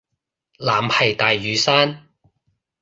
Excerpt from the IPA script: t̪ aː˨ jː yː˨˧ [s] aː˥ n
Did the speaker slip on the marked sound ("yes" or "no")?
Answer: no